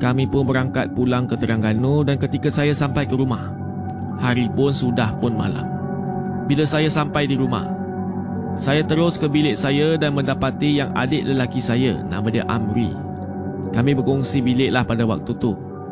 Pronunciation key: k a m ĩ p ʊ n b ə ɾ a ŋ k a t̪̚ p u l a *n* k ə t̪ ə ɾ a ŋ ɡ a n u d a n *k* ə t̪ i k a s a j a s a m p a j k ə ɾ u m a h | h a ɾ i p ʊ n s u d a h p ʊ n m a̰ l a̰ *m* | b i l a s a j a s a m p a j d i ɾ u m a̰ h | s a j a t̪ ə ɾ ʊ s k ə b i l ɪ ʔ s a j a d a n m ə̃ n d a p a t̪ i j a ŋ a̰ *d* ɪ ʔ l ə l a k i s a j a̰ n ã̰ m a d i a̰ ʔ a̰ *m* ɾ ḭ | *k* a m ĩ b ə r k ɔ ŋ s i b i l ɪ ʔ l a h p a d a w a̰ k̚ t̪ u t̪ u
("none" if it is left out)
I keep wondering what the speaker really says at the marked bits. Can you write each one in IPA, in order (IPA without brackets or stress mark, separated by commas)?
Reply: ŋ, k, m, d, m, k